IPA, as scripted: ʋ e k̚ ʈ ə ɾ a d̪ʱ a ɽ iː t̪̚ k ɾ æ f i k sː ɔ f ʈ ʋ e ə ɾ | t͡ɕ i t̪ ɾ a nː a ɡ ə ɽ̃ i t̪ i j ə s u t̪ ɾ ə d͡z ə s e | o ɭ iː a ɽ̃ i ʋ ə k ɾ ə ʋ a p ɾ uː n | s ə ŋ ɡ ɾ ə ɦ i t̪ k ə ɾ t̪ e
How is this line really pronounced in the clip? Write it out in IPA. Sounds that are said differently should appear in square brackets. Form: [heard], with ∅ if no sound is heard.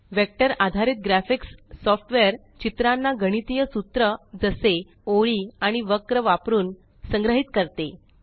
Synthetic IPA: ʋ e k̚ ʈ ə ɾ a d̪ʱ a [ɾ] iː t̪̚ [ɡ] ɾ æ f i k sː ɔ f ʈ ʋ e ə ɾ | t͡ɕ i t̪ ɾ a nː a ɡ ə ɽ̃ i t̪ i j ə s u t̪ ɾ ə d͡z ə s e | o ɭ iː a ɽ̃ i ʋ ə k ɾ ə ʋ a p ɾ uː n | s ə ŋ ɡ ɾ ə ɦ i t̪ k ə ɾ t̪ e